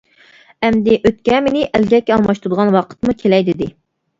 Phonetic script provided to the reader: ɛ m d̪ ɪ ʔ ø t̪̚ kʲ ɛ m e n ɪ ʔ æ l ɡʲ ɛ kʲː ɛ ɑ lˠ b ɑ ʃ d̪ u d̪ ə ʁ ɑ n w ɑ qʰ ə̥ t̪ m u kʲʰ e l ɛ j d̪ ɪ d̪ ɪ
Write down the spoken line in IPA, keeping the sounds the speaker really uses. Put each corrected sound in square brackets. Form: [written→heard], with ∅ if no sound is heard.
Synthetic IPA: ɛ m d̪ ɪ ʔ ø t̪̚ kʲ ɛ m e n ɪ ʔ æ l ɡʲ ɛ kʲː ɛ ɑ lˠ [b→m] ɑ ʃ [d̪→t̪] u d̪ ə ʁ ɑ n w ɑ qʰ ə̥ t̪ m u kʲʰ e l ɛ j d̪ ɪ d̪ ɪ